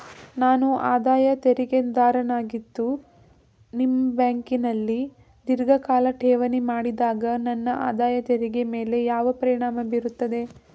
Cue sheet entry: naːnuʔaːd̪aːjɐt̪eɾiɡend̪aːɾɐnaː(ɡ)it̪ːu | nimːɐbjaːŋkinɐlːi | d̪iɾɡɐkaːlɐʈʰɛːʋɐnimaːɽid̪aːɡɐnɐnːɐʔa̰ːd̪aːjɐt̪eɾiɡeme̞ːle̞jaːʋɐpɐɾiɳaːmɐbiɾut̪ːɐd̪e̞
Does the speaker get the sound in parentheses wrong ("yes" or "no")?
no